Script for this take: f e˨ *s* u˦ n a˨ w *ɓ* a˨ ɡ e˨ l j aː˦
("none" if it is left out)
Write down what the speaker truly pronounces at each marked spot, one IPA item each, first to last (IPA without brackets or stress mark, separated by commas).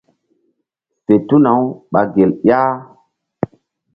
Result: t, ɓ